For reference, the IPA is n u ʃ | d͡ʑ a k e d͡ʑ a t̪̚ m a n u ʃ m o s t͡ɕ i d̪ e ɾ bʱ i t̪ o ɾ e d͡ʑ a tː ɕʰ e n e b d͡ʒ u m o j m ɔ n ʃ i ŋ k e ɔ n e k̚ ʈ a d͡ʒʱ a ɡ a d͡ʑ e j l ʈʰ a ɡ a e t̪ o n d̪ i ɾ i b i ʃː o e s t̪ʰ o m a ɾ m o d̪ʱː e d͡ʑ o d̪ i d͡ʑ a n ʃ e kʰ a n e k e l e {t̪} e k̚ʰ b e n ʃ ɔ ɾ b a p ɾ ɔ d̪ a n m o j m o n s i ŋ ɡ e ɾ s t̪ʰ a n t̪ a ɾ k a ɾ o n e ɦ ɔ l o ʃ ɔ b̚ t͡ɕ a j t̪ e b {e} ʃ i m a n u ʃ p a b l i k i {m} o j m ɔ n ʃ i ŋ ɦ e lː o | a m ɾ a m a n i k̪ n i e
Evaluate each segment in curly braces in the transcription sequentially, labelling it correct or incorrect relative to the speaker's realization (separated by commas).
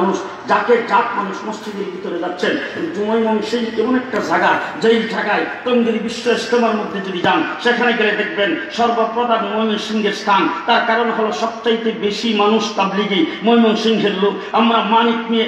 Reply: incorrect, correct, correct